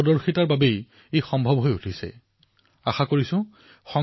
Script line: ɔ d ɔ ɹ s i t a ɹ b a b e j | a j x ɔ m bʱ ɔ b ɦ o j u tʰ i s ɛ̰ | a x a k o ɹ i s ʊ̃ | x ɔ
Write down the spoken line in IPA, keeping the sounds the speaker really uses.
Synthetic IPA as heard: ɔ d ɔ ɹ x i t a ɹ b a b e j | e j x ɔ m bʱ ɔ b ɦ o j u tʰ i s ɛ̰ | a x a k o ɹ i s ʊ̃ | x ɔ